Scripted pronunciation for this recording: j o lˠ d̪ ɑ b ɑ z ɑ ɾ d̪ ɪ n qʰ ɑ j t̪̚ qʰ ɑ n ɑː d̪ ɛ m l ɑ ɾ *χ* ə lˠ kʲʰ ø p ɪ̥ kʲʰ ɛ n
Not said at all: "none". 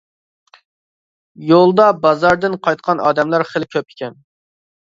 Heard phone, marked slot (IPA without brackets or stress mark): χ